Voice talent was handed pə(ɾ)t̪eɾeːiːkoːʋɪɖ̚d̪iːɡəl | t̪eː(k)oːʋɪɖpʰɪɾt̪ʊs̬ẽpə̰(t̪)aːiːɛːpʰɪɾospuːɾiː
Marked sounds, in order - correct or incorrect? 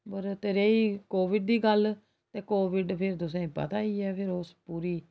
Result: correct, correct, correct

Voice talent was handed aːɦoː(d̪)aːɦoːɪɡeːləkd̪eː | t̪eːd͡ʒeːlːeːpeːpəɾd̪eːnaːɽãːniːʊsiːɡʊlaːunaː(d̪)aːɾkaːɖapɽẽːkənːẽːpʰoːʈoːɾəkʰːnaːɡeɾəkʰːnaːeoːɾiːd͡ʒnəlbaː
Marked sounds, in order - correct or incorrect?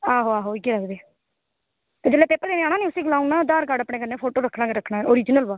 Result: incorrect: none, correct

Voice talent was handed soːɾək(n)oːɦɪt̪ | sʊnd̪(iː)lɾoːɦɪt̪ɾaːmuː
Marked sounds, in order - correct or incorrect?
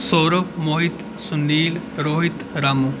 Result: incorrect: m, correct

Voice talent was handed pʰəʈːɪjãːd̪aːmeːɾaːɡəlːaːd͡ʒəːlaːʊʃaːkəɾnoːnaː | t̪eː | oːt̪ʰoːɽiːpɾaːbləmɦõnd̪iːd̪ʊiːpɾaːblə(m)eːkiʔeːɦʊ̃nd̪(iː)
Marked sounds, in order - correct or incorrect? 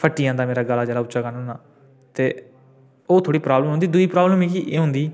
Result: correct, correct

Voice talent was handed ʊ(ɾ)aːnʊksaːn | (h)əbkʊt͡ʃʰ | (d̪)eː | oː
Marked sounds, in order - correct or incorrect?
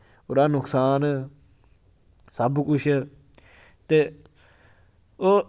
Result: correct, incorrect: s, incorrect: t̪

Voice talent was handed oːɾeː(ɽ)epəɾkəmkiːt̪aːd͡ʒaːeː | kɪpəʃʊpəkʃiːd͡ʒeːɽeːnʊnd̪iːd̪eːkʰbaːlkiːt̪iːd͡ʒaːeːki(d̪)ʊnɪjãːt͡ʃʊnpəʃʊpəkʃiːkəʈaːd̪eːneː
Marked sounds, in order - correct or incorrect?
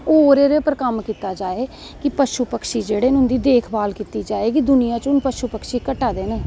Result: incorrect: ɾ, correct

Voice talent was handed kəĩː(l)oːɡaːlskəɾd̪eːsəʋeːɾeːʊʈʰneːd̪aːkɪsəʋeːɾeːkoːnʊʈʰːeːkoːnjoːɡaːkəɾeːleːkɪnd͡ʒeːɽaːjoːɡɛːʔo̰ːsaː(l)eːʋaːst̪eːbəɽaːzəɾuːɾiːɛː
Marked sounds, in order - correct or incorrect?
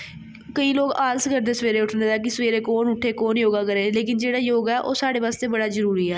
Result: correct, incorrect: ɽ

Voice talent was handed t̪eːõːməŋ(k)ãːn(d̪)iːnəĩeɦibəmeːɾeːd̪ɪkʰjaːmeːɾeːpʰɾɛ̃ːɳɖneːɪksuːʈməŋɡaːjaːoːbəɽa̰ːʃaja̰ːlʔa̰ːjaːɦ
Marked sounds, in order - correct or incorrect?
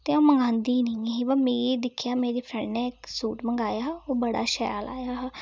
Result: incorrect: ɡ, correct

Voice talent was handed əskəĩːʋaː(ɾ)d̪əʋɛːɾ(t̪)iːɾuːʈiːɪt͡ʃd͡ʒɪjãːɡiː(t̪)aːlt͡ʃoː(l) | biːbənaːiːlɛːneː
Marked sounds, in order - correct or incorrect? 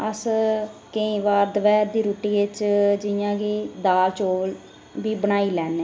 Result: correct, incorrect: d̪, incorrect: d̪, correct

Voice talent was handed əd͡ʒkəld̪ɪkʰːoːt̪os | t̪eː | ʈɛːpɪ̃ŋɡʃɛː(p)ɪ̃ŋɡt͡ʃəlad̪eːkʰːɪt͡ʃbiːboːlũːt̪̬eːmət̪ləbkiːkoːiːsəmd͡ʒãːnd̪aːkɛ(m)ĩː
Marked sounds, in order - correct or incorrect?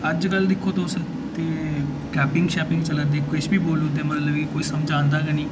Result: correct, incorrect: n

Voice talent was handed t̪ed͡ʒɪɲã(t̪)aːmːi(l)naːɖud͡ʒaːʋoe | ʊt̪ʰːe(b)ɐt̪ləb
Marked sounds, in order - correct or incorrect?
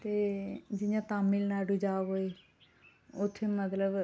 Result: correct, correct, incorrect: m

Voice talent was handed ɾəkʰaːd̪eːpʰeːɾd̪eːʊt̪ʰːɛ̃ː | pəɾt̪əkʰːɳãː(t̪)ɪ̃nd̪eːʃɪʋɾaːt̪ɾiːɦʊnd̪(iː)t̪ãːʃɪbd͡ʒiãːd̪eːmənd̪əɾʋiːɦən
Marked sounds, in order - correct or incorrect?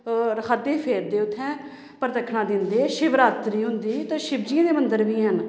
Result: incorrect: d̪, correct

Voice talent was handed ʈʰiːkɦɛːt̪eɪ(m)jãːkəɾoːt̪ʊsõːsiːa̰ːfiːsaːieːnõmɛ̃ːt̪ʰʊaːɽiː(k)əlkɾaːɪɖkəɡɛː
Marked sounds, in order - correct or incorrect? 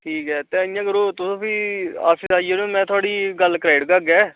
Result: incorrect: none, incorrect: ɡ

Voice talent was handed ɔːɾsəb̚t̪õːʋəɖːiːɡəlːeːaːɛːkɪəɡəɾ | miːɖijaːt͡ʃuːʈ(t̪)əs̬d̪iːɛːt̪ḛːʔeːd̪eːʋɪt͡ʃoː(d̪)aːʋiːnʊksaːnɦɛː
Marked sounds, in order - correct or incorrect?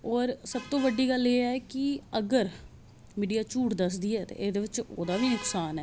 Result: incorrect: d̪, correct

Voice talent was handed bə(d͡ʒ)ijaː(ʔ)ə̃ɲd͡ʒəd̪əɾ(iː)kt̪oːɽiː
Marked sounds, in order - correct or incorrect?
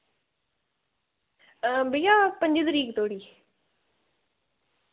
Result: incorrect: none, incorrect: p, correct

